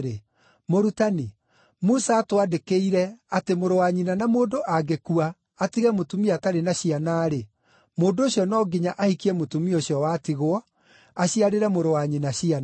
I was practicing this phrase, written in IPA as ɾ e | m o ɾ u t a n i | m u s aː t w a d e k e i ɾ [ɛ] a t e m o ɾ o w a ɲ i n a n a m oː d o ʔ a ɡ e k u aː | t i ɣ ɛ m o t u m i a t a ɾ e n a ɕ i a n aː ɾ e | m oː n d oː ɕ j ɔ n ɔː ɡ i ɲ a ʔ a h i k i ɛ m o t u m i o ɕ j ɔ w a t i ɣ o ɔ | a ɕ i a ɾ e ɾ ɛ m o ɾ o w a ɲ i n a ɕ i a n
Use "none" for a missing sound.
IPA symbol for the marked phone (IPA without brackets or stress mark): ɛ